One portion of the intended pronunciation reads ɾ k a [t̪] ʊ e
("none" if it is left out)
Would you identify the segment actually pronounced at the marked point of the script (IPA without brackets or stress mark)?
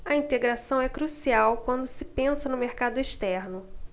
d̪